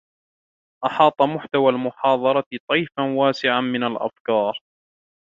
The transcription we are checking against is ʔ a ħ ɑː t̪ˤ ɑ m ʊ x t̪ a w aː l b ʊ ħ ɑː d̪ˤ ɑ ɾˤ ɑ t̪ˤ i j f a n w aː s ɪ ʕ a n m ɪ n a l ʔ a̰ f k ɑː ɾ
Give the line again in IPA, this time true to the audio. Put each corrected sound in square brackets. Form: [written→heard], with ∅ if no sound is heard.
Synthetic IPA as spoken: ʔ [a→ɑ] ħ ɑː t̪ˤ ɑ m ʊ [x→ħ] t̪ a w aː l [b→m] ʊ ħ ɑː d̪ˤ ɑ ɾˤ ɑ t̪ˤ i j f a n w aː s ɪ ʕ a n m ɪ n a l ʔ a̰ f k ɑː ɾ